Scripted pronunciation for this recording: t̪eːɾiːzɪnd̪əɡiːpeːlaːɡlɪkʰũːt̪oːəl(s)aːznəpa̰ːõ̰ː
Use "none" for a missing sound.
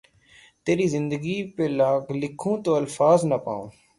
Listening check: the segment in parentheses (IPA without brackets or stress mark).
f